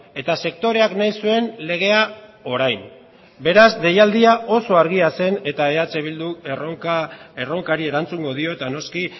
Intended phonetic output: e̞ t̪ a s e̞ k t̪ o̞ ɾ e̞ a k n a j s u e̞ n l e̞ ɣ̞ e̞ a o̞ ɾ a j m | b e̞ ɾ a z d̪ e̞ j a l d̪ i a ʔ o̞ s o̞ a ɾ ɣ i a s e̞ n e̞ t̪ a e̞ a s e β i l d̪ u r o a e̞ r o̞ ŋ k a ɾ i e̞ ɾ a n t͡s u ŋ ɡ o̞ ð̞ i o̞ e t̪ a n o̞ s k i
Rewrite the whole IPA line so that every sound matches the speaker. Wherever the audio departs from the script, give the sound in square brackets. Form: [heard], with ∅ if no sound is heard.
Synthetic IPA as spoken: e̞ t̪ a s e̞ k t̪ o̞ ɾ e̞ a k n a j s u e̞ n l e̞ ɣ̞ e̞ a o̞ ɾ a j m | b e̞ ɾ a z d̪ e̞ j a l d̪ i a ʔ o̞ s o̞ a ɾ ɣ i a s e̞ n e̞ t̪ a e̞ a [t͡s] e β i l d̪ u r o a e̞ r o̞ ŋ k a ɾ i e̞ ɾ a n t͡s u ŋ ɡ o̞ ð̞ i o̞ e t̪ a n o̞ s k i